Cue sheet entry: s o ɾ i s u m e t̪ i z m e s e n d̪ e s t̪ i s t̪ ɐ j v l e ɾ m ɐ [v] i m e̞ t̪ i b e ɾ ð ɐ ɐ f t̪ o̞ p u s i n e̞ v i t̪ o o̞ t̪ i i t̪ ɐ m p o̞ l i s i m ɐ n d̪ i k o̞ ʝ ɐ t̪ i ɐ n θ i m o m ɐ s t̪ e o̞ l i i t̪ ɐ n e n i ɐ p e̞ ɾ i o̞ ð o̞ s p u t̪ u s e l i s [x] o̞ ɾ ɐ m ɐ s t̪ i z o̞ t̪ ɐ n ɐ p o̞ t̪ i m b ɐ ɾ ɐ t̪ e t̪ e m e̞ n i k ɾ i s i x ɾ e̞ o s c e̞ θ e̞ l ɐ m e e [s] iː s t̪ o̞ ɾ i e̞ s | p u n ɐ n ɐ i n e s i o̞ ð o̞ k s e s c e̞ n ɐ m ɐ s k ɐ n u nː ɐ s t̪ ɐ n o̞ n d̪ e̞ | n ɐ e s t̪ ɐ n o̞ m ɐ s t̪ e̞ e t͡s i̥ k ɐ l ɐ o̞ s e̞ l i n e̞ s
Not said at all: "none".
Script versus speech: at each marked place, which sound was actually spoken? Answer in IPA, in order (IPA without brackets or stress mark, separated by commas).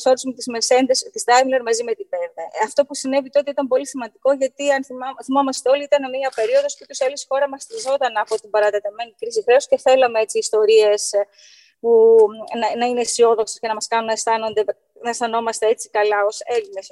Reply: z, x, t͡s